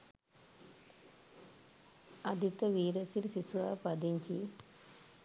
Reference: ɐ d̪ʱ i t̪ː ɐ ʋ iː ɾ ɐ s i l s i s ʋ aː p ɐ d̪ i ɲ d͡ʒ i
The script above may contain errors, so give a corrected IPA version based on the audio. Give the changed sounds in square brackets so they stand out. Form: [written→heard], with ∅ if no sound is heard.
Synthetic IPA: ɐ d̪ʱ i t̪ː ɐ ʋ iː ɾ ɐ s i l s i s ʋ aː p ɐ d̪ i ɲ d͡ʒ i